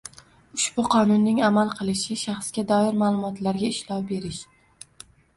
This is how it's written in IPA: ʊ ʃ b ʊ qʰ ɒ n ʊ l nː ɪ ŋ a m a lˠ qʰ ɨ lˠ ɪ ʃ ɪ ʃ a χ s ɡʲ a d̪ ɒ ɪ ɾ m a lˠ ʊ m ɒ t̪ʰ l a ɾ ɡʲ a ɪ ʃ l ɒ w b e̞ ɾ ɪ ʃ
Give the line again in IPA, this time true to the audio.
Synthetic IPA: ʊ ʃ b ʊ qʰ ɒ n ʊ nː ɪ ŋ a m a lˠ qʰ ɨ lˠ ɪ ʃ ɪ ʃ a χ s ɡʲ a d̪ ɒ ɪ ɾ m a lˠ ʊ m ɒ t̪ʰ l a ɾ ɡʲ a ɪ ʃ l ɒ w b e̞ ɾ ɪ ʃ